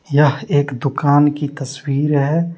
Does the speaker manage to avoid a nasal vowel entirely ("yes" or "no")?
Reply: yes